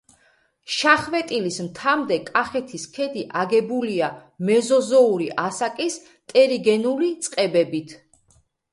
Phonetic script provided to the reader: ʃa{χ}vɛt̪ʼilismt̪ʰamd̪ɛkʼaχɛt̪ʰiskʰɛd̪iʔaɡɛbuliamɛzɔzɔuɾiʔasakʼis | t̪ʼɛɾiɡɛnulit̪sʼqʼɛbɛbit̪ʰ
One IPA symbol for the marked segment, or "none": χ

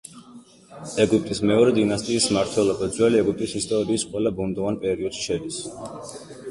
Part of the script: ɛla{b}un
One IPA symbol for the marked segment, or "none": b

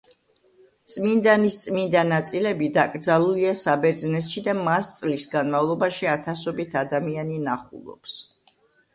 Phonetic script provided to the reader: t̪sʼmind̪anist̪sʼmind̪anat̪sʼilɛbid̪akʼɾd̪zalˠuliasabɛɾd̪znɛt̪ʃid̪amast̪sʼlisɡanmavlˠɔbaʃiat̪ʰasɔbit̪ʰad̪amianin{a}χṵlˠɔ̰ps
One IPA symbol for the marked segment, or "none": a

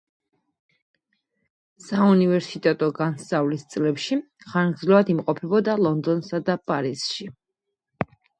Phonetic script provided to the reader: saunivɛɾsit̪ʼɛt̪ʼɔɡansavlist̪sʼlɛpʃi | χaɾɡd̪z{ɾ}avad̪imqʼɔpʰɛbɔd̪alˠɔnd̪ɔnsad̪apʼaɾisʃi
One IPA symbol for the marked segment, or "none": l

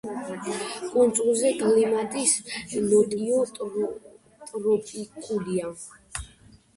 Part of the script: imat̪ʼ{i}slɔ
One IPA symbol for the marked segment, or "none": i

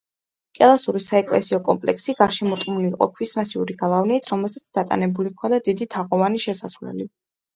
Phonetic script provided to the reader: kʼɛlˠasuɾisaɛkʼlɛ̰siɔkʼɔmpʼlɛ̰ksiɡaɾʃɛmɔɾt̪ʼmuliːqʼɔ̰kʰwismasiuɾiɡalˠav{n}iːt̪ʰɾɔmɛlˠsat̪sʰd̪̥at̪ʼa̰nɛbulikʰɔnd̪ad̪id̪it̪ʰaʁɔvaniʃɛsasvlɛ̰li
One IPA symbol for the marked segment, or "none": n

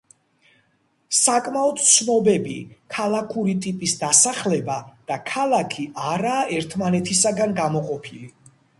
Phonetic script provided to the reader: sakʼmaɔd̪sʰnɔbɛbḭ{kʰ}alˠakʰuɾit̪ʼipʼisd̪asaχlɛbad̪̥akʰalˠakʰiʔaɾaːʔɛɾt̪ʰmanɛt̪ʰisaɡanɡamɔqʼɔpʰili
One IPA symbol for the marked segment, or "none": kʰ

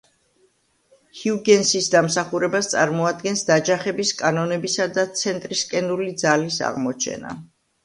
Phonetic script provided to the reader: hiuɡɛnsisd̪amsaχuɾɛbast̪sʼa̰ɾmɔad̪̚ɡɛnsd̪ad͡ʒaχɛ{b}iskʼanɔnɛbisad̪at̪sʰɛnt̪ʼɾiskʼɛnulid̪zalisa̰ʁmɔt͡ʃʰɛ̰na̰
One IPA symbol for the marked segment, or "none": b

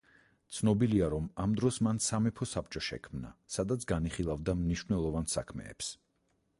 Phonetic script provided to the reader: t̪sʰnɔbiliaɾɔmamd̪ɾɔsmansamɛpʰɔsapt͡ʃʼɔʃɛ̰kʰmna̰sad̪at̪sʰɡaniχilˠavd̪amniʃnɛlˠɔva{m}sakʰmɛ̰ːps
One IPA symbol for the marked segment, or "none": n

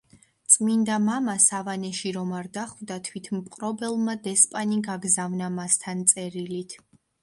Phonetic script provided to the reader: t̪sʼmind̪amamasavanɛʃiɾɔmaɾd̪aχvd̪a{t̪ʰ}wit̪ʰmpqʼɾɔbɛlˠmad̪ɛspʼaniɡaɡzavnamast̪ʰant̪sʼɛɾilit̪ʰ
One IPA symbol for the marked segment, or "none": t̪ʰ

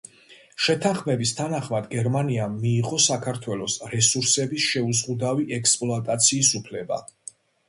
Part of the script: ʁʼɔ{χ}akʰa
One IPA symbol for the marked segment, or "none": s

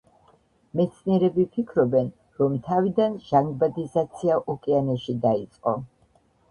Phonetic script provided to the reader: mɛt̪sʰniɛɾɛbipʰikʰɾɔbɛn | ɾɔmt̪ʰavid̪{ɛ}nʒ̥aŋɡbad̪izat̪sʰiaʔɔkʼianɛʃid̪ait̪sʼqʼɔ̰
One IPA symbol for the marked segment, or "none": a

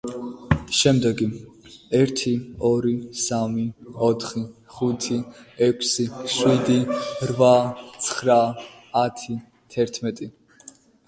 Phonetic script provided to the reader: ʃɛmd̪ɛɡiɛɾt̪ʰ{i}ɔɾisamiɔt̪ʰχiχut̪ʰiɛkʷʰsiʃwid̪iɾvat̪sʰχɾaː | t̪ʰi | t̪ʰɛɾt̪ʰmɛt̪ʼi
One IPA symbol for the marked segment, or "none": i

